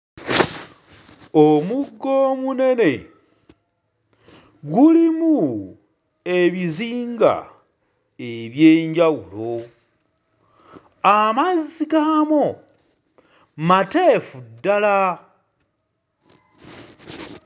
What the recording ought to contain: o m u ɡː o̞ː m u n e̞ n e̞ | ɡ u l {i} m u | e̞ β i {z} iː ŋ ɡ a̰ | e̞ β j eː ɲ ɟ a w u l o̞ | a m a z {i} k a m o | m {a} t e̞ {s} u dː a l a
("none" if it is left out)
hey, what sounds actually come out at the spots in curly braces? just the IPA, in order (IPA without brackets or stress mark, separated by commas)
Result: i, z, i, a, f